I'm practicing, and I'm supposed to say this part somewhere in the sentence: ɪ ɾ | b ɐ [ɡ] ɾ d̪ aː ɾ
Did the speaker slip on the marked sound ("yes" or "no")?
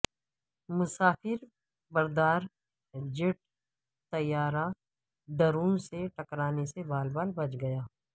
yes